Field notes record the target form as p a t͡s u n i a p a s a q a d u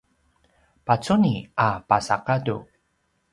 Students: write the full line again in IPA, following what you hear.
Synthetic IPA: p a t͡s u n i a p a s a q a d u